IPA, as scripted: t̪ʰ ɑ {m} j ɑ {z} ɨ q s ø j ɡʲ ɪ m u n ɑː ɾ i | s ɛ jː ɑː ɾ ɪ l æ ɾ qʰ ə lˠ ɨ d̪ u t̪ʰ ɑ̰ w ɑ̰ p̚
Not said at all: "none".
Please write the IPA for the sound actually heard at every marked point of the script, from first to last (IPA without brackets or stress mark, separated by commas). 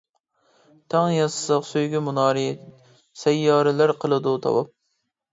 ŋ, s